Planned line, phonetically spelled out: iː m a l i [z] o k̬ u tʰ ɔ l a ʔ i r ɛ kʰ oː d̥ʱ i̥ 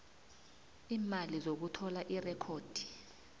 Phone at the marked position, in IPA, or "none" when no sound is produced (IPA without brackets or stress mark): z